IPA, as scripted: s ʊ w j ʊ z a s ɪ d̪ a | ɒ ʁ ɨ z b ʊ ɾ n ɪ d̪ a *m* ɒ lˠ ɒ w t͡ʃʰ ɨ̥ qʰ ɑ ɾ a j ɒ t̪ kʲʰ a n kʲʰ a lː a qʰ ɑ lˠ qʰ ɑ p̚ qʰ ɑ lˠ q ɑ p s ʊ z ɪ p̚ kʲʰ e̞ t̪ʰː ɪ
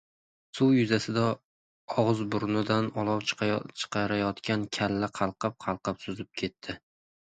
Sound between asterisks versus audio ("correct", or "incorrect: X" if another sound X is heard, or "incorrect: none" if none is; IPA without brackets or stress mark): incorrect: n